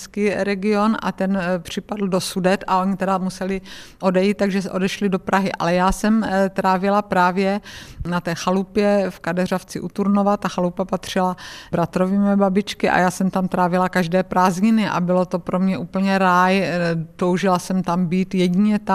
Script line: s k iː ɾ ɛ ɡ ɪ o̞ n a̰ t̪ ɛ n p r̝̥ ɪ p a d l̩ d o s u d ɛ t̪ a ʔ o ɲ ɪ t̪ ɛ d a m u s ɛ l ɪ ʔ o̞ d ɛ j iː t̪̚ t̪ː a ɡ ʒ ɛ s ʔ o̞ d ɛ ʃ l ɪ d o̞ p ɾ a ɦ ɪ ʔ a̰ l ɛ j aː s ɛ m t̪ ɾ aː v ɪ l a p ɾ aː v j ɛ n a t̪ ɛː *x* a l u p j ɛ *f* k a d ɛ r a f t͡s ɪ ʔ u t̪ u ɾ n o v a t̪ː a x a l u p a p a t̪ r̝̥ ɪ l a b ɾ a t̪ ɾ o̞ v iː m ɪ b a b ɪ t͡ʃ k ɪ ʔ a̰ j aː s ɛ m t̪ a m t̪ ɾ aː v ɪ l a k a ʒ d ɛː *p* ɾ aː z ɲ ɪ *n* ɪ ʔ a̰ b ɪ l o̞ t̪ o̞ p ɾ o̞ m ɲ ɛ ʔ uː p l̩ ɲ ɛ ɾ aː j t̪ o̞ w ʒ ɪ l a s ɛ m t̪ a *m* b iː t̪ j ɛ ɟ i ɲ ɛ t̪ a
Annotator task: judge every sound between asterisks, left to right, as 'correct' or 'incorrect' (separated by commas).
correct, correct, correct, correct, correct